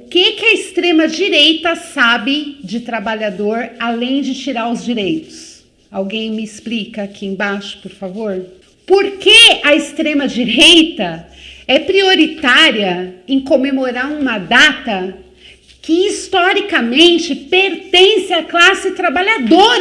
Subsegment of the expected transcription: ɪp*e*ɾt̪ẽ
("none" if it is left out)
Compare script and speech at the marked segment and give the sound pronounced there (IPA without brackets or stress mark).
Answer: e